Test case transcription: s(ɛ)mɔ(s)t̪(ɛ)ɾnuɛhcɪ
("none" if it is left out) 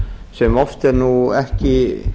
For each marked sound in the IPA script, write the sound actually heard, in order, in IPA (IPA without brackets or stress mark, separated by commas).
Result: ɛ, f, ɛ